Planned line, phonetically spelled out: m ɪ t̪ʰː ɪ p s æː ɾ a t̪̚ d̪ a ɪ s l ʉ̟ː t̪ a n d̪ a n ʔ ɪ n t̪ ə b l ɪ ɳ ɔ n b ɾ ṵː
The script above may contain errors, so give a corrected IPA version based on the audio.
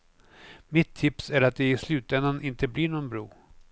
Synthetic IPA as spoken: m ɪ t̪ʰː ɪ p s æ ɾ a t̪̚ d̪ ɛ ɪ s l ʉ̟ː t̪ ɛ n d̪ a n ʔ ɪ n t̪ ə b l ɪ ɳ ɔ n b ɾ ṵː